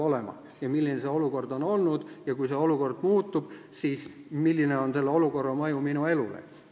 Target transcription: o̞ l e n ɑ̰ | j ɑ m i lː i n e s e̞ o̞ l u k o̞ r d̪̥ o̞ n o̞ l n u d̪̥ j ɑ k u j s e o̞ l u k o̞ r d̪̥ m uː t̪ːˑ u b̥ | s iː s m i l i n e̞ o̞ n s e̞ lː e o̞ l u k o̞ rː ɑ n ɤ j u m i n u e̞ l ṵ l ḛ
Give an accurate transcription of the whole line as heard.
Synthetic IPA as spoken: o̞ l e m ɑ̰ | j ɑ m i lː i n e s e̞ o̞ l u k o̞ r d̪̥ o̞ n o̞ l n u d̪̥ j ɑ k u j s e o̞ l u k o̞ r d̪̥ m uː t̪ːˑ u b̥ | s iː s m i lː i n e̞ o̞ n s e̞ lː e o̞ l u k o̞ rː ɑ m ɤ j u m i n u e̞ l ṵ l ḛ